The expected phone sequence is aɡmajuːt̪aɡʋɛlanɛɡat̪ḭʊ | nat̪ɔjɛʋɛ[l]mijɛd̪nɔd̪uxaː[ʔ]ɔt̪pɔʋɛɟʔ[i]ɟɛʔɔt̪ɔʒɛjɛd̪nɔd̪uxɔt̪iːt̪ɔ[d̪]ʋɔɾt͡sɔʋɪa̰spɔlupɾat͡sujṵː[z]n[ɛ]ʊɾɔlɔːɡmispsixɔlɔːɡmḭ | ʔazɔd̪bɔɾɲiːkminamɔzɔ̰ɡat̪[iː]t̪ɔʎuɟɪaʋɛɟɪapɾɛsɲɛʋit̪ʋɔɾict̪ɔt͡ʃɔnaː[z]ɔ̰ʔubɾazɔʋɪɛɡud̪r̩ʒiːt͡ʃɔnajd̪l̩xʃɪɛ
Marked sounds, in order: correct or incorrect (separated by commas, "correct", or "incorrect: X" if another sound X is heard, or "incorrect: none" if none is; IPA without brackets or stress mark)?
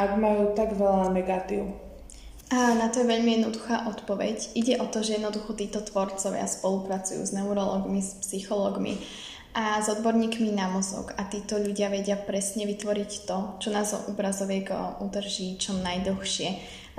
incorrect: ʎ, correct, correct, incorrect: t̪, correct, correct, correct, correct